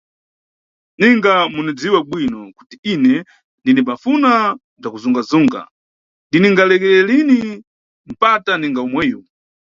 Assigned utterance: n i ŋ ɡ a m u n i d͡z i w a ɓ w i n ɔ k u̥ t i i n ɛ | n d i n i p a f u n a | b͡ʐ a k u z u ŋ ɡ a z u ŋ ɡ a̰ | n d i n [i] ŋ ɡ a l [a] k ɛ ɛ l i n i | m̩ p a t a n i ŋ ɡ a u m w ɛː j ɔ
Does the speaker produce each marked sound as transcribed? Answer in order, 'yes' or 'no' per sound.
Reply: yes, no

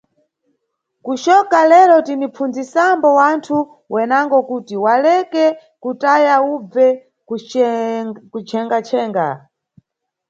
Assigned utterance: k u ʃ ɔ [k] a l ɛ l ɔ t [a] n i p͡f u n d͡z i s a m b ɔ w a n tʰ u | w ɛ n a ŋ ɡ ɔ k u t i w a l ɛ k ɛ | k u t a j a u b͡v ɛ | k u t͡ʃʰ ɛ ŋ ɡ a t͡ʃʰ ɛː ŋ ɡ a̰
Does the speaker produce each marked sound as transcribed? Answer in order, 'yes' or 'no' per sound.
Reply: yes, no

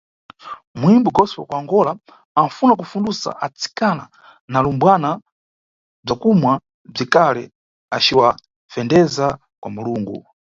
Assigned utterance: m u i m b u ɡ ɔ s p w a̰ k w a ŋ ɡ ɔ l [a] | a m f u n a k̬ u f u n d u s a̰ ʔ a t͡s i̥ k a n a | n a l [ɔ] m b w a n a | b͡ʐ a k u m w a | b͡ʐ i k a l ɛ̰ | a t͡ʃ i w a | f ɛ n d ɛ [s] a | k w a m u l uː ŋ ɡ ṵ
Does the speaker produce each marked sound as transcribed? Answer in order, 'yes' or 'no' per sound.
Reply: yes, no, no

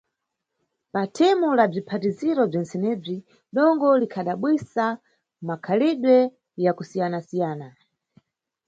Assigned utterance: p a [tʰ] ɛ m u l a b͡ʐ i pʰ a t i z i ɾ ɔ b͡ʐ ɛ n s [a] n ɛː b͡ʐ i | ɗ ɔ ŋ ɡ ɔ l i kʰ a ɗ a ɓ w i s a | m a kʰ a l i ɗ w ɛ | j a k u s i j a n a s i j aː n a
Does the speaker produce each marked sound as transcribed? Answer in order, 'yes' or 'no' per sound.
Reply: yes, no

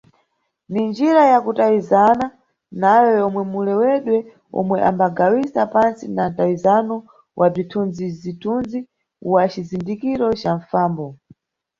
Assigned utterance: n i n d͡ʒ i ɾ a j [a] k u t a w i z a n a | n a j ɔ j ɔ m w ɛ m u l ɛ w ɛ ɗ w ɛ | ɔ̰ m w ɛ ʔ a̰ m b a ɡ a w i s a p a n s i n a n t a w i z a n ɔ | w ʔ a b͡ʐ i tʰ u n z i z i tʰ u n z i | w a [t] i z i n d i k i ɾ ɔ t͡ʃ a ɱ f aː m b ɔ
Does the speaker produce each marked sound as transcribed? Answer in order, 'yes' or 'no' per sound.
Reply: yes, no

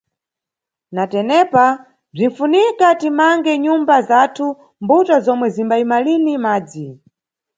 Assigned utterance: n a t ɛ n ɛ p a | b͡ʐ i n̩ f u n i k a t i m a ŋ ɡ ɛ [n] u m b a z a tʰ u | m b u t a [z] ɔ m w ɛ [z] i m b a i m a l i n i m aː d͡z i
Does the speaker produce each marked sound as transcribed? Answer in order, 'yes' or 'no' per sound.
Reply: no, yes, yes

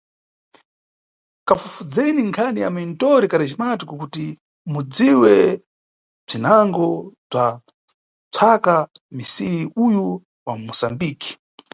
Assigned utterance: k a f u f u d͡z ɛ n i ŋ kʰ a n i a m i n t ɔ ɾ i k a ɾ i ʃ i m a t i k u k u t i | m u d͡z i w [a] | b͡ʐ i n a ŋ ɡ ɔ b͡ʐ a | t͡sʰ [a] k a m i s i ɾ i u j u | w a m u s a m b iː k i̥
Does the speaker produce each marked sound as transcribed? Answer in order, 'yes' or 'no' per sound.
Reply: no, yes

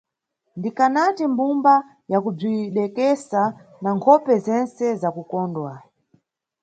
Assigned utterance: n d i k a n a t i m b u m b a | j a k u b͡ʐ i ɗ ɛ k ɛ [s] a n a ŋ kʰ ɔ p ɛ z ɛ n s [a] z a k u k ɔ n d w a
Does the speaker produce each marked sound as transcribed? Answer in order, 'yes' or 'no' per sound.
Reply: yes, no

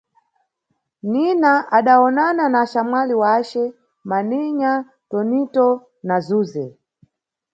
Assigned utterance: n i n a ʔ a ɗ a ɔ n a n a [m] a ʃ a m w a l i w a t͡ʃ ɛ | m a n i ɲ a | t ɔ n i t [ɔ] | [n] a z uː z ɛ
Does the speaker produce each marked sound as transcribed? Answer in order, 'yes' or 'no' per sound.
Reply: no, yes, yes

